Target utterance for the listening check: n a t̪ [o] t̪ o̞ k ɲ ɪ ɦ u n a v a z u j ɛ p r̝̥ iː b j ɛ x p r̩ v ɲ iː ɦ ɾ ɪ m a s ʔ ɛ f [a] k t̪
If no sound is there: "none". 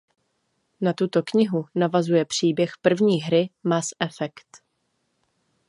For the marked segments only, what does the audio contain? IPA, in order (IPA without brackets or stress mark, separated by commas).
u, ɛ